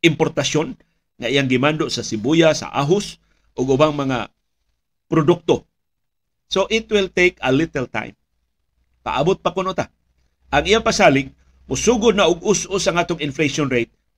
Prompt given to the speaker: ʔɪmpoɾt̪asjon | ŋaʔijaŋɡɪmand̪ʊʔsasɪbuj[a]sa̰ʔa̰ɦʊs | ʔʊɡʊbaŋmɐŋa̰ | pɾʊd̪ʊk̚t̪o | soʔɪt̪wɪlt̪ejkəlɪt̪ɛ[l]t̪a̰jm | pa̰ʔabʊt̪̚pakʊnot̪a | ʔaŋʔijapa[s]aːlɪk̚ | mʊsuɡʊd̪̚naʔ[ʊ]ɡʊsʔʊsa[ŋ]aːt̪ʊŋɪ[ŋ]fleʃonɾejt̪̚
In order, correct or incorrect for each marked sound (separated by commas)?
correct, correct, correct, correct, correct, incorrect